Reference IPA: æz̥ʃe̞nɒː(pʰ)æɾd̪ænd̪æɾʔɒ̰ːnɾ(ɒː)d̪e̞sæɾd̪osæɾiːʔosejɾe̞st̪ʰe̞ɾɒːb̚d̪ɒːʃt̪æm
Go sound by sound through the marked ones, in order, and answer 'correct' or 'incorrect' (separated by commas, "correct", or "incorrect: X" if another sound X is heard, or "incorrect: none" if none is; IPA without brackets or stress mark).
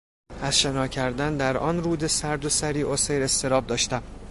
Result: incorrect: cʰ, incorrect: uː